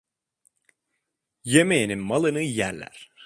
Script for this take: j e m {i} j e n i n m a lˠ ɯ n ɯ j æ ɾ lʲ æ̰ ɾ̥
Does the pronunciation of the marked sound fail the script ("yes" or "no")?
yes